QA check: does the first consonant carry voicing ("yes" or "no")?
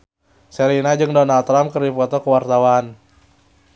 no